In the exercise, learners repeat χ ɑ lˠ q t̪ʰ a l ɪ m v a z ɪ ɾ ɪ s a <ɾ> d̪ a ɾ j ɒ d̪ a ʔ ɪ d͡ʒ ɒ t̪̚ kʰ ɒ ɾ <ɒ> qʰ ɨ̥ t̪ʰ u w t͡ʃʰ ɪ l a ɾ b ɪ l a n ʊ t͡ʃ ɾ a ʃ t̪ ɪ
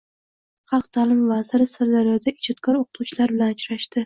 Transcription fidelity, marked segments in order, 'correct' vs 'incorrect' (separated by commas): correct, incorrect